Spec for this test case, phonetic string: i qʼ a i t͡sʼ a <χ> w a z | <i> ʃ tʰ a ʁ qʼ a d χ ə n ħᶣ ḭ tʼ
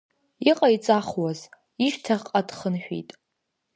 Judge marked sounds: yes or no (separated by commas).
yes, yes